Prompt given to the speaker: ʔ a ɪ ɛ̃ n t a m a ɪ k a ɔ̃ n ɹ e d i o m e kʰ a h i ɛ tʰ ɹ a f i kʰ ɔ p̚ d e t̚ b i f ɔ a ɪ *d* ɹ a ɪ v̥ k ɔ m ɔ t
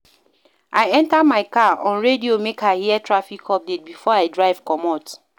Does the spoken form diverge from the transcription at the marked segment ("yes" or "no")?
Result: no